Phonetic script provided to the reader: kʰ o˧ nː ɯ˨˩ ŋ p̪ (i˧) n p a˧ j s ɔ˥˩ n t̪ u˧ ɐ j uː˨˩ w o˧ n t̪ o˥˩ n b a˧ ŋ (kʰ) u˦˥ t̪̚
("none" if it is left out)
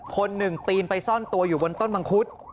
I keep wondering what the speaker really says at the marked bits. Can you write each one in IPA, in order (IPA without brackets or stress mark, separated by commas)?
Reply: iː˧, kʰ